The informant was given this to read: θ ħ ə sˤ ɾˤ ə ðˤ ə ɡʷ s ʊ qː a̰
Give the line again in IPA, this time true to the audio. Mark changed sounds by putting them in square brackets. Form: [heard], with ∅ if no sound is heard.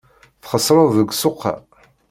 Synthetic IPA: θ [χ] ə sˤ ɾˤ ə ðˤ ə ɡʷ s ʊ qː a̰